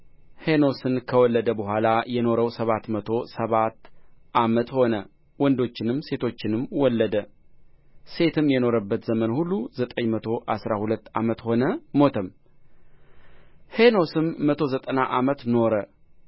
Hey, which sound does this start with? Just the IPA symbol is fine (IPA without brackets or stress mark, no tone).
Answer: h